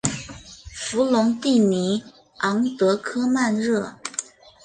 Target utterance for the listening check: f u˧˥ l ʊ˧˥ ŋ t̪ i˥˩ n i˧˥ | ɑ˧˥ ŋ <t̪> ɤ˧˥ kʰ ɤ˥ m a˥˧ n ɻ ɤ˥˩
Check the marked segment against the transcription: correct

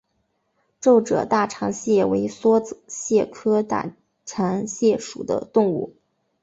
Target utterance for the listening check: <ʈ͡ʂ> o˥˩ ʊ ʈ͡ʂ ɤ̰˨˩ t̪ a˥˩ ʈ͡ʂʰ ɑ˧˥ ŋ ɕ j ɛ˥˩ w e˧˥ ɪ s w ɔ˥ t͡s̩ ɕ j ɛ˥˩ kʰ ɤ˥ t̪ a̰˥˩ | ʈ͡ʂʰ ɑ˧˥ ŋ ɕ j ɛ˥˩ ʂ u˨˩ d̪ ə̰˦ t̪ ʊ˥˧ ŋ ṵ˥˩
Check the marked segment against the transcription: correct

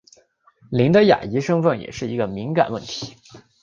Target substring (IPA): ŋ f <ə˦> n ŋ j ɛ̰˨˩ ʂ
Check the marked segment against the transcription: incorrect: ə˥˩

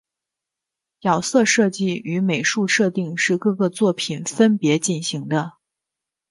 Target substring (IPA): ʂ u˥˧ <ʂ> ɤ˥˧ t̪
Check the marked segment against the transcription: correct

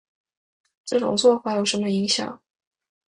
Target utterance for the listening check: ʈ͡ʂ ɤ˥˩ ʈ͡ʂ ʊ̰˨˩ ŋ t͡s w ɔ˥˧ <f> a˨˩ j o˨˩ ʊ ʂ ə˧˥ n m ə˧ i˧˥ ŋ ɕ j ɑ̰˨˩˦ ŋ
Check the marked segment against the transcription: correct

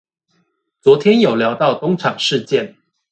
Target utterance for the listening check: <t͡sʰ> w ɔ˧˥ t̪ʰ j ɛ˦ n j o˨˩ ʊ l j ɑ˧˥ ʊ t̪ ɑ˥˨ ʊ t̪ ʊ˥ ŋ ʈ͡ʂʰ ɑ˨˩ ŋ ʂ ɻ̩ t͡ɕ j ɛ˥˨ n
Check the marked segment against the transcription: incorrect: t͡s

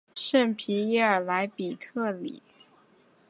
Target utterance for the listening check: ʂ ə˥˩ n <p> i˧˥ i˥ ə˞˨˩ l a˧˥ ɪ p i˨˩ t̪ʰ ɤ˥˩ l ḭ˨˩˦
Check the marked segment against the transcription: incorrect: pʰ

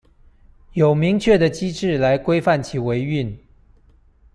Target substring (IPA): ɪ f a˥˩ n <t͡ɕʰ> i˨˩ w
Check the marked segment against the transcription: correct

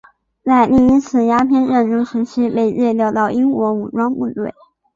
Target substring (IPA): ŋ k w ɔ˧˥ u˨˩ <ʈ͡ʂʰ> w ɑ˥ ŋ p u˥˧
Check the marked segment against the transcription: incorrect: ʈ͡ʂ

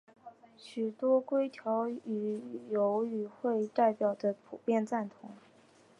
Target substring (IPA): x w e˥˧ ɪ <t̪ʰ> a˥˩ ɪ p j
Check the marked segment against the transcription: incorrect: t̪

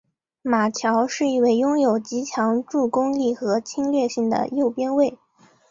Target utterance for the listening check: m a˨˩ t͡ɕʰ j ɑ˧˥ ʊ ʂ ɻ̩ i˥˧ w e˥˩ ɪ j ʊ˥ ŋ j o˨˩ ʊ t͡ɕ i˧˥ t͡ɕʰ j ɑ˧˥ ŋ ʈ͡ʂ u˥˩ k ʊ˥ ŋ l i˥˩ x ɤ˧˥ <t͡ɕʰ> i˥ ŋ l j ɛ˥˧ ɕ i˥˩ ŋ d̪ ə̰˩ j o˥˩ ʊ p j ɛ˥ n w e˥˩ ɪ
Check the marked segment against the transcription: correct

